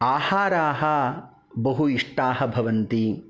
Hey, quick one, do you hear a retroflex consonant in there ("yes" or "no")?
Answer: yes